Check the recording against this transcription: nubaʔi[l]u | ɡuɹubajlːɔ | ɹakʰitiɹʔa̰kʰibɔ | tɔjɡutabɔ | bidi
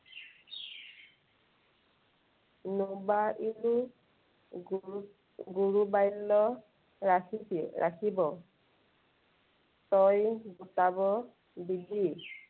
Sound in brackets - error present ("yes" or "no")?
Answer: no